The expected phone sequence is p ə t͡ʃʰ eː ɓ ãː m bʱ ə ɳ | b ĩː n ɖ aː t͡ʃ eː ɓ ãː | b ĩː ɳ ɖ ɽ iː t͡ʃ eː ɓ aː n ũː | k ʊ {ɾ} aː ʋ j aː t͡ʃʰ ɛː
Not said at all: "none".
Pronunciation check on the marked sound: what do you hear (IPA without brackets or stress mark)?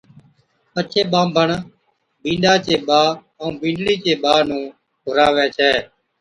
ɾ